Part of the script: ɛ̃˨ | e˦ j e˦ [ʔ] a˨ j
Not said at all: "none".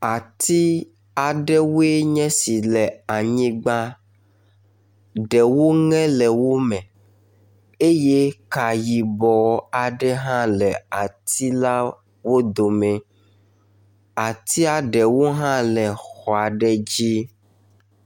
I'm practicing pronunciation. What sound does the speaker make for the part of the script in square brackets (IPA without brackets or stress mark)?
k